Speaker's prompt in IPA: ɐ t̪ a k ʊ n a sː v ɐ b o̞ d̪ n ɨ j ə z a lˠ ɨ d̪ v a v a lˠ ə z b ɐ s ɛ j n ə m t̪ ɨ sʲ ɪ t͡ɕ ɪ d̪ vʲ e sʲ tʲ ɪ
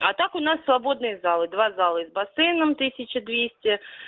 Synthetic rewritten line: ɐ t̪ a k ʊ n a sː v ɐ b o̞ d̪ n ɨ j ə z a lˠ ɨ d̪ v a z a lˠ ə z b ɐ s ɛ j n ə m t̪ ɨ sʲ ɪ t͡ɕ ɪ d̪ vʲ e sʲ tʲ ɪ